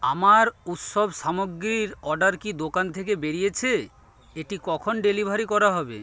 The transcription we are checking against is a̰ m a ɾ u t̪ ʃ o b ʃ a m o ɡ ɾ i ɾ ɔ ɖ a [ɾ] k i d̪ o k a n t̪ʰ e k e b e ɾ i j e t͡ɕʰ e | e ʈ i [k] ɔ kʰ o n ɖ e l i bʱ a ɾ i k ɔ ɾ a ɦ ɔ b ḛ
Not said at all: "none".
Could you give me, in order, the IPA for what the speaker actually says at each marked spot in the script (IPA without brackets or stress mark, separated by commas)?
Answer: ɾ, k